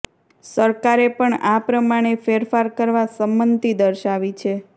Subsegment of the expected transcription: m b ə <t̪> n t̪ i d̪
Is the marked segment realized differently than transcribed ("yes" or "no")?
yes